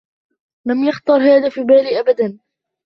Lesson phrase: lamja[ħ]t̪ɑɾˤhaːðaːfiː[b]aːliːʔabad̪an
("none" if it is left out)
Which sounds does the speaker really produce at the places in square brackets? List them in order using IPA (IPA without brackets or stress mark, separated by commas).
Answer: x, b